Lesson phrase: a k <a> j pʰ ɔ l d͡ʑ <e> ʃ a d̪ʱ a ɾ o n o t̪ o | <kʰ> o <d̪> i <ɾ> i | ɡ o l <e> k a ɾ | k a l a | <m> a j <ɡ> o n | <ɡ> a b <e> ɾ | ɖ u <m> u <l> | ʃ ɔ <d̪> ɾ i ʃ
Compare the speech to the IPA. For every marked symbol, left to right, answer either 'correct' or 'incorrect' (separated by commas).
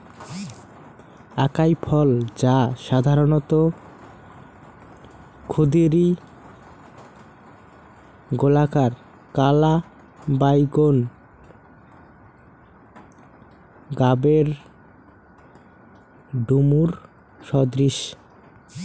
correct, incorrect, correct, correct, correct, incorrect, incorrect, correct, correct, correct, correct, incorrect, correct